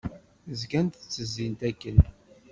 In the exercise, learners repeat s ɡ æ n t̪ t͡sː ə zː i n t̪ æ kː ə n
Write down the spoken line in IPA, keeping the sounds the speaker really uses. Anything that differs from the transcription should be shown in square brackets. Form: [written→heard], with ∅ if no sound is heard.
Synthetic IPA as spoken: [s→z] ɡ æ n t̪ t͡sː ə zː i n t̪ æ kː ə n